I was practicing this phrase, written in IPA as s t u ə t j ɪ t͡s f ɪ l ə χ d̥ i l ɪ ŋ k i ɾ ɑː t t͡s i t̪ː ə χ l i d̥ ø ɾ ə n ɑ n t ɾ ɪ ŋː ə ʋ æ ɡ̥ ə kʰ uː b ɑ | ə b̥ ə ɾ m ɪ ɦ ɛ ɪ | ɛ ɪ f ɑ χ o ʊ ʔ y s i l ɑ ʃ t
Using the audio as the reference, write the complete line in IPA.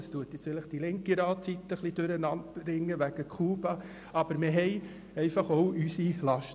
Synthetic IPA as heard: s t u ə t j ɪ t͡s f ɪ l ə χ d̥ i l ɪ ŋ k i ɾ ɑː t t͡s i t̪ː ə χ l i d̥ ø ɾ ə n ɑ n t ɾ ɪ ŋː ə ʋ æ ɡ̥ ə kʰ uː b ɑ | ɑ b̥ ə ɾ m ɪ ɦ ɛ ɪ | ɛ ɪ f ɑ χ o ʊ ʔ y s i l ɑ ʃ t